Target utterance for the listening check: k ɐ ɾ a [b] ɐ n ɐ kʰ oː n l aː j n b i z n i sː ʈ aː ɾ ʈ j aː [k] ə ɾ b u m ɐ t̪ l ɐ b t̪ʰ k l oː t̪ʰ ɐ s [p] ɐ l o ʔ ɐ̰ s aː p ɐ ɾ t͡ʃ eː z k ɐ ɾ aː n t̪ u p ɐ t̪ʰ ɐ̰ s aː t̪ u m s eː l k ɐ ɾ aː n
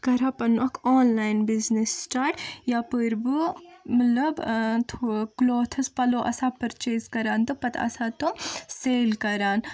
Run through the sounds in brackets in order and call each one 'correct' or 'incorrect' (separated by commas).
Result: incorrect, incorrect, correct